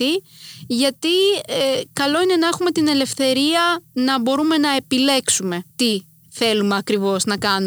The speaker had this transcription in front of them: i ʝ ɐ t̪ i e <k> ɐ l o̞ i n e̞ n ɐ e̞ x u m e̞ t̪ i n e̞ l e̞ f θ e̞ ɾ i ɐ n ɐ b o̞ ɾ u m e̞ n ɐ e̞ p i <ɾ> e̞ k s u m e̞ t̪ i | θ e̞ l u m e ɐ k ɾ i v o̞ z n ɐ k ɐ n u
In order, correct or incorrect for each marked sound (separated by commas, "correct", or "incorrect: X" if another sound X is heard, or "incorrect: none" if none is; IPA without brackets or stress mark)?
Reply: correct, incorrect: l